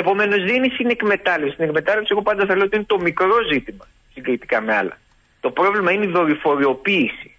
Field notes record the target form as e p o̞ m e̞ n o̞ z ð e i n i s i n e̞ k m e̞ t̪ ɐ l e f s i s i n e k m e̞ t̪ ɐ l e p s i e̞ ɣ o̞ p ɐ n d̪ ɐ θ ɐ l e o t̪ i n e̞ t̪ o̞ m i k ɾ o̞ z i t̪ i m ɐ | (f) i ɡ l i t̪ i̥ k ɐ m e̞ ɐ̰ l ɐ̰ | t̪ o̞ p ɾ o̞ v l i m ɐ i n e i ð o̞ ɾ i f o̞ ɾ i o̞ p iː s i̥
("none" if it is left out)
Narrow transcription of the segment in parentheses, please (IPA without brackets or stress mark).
s